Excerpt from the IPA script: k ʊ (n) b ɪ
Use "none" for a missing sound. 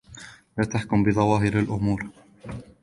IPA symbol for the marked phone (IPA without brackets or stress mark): m